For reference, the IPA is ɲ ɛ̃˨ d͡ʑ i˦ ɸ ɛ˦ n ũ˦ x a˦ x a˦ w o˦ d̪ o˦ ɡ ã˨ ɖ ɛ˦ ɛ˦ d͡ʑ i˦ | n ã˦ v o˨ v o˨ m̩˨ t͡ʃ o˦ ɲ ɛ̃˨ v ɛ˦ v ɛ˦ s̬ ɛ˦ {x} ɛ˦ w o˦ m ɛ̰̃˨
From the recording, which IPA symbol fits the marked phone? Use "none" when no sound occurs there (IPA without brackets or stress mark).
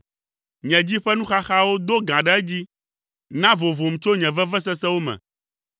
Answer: s